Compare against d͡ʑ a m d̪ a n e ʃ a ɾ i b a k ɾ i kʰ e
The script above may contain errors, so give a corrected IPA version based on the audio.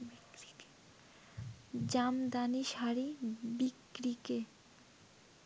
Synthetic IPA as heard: d͡ʑ a m d̪ a n i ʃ a ɾ i b i k ɾ i k e